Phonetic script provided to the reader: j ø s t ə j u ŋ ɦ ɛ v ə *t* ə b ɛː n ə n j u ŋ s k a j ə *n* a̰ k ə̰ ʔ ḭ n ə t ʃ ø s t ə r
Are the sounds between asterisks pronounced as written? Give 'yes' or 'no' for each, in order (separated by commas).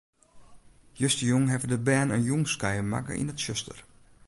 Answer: no, no